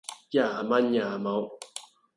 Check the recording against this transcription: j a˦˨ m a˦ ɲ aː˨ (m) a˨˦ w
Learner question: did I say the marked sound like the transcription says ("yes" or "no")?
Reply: yes